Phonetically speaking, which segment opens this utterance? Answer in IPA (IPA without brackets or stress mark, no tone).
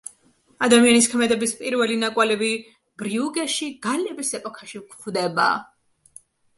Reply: a